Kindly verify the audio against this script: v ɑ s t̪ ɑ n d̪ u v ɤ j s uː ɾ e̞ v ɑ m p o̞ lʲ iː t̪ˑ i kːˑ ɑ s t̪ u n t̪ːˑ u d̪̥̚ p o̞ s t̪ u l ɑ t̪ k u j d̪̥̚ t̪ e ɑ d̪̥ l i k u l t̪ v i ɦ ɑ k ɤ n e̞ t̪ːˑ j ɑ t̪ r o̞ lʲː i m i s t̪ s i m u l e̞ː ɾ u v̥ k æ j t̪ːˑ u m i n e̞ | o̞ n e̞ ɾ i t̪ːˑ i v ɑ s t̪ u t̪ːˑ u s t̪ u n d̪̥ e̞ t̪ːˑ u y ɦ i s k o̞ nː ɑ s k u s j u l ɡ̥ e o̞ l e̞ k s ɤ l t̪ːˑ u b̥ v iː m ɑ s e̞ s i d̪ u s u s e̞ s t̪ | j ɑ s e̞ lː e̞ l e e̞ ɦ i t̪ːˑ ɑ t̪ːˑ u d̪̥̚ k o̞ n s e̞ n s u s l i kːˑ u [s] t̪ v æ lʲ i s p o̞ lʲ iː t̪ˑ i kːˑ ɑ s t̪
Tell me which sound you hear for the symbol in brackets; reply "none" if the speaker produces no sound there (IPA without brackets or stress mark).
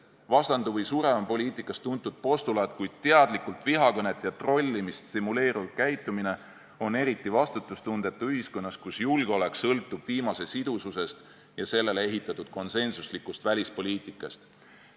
s